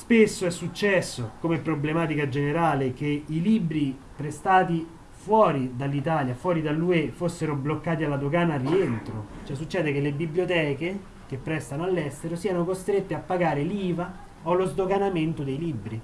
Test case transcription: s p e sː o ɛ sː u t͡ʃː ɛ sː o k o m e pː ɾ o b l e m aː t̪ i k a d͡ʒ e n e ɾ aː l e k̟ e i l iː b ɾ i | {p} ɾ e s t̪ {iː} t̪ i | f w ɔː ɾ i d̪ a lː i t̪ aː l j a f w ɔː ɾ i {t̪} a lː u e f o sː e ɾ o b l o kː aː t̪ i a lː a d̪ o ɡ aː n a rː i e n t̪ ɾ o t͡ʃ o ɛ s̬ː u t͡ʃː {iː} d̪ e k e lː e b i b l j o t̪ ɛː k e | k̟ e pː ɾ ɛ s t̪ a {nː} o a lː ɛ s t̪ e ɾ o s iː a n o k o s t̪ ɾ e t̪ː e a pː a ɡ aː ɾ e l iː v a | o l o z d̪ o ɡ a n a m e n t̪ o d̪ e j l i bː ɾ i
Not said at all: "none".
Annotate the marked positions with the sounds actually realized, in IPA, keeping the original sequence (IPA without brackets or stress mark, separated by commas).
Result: p, aː, d̪, ɛː, n